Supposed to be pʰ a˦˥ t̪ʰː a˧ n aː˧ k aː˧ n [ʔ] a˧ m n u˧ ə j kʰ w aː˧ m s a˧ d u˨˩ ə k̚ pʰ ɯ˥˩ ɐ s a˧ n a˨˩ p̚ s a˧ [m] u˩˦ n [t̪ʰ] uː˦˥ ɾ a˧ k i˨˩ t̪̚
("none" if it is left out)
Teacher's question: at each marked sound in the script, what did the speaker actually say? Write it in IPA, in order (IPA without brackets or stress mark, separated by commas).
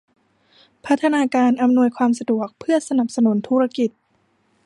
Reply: ʔ, n, t̪ʰ